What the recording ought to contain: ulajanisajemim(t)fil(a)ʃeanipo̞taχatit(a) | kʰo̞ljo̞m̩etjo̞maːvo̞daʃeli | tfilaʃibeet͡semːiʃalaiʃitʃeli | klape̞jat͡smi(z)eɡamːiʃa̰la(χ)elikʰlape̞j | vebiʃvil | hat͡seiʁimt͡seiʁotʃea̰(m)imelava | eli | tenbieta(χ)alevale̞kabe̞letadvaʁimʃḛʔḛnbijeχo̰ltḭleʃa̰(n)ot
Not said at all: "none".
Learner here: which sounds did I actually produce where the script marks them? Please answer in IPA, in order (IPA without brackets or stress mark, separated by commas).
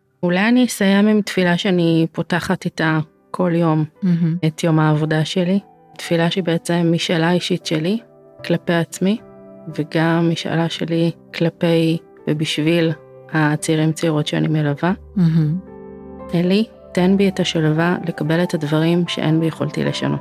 t, a, a, v, ʃ, n, ʃ, n